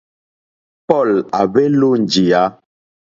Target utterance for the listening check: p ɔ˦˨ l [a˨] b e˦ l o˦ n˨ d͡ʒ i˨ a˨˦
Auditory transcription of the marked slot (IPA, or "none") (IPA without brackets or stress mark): a˨